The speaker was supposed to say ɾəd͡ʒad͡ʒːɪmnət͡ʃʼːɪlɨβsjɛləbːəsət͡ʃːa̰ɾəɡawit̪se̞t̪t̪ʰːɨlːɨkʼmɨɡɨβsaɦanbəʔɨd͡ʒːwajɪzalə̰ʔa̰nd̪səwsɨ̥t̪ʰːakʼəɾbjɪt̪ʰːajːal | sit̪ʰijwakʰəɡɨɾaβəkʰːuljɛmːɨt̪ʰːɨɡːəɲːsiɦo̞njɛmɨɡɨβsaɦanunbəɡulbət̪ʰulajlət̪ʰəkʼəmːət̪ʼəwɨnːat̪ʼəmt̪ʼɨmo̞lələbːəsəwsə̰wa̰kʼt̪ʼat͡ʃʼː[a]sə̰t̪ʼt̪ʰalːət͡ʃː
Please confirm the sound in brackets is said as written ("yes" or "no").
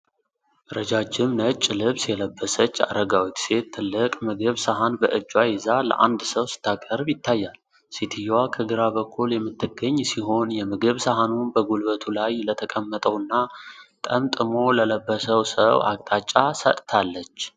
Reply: yes